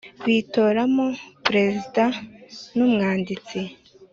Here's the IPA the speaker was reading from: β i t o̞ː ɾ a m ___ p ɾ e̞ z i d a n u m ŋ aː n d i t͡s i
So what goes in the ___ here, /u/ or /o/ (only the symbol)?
o